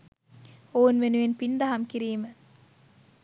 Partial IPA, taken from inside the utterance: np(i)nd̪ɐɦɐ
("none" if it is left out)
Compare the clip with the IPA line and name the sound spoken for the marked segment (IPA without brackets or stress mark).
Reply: i